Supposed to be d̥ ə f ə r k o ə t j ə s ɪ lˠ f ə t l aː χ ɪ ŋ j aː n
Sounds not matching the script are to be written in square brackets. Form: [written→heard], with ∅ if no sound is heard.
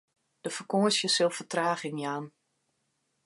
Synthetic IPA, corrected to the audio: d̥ ə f ə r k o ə [t→s] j ə s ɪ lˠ f ə t [l→r] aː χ ɪ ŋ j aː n